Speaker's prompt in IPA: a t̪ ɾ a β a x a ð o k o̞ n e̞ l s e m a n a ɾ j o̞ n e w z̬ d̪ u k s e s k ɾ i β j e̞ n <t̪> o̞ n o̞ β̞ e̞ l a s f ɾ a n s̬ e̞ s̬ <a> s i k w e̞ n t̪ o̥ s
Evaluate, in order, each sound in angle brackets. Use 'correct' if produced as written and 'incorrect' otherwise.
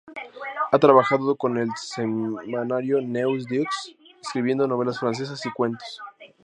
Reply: incorrect: d̪, correct

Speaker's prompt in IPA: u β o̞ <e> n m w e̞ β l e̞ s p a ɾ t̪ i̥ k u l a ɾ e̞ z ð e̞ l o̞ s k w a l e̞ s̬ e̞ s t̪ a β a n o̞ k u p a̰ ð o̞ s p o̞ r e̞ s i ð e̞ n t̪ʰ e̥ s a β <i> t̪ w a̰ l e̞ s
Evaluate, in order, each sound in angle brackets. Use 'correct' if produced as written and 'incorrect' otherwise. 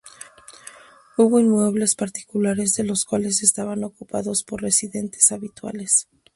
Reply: incorrect: i, correct

